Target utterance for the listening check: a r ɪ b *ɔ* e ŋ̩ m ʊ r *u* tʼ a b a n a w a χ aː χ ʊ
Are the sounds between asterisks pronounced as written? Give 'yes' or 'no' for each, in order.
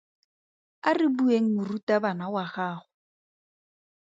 no, yes

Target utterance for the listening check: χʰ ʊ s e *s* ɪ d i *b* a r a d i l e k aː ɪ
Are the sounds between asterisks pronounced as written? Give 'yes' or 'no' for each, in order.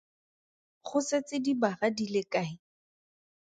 no, yes

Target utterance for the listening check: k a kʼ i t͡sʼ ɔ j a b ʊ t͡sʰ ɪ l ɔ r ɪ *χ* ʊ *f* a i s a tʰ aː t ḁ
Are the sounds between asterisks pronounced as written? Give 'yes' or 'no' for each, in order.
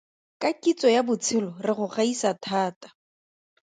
yes, no

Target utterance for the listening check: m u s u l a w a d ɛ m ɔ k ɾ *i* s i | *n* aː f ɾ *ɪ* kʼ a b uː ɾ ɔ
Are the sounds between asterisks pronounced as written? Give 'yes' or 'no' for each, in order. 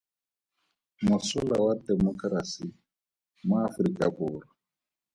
no, no, no

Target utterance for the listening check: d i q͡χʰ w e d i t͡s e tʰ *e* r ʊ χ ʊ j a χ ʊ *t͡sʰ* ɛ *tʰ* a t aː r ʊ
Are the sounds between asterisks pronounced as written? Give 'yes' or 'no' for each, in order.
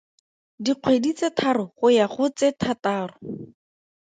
no, no, yes

